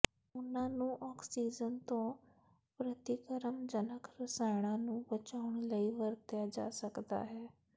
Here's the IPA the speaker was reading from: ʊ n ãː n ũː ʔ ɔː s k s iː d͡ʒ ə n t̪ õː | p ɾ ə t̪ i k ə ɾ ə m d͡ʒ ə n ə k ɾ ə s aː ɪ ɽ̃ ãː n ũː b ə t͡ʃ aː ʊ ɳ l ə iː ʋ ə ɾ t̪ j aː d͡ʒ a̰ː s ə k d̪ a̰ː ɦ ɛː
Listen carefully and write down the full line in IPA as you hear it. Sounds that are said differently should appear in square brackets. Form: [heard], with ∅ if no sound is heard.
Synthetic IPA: ʊ n ãː n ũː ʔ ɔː [∅] k s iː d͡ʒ ə n t̪ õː | p ɾ ə t̪ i k ə ɾ ə m d͡ʒ ə n ə k ɾ ə s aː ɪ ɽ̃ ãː n ũː b ə t͡ʃ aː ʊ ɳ l ə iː ʋ ə ɾ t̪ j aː d͡ʒ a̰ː s ə k d̪ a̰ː ɦ ɛː